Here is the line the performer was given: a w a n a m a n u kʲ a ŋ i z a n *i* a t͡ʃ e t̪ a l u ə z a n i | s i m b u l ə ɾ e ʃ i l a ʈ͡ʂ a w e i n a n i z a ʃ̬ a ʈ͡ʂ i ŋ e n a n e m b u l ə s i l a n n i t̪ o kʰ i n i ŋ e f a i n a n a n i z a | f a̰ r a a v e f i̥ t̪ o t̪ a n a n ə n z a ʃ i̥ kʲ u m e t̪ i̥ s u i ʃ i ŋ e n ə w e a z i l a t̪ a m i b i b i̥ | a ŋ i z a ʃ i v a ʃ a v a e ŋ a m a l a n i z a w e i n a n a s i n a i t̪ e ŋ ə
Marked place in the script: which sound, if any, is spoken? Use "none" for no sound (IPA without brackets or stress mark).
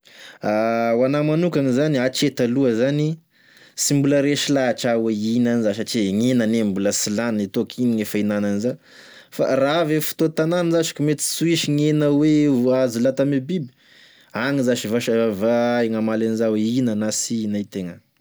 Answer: i